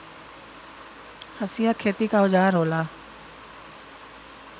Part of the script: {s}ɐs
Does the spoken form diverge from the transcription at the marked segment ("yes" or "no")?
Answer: yes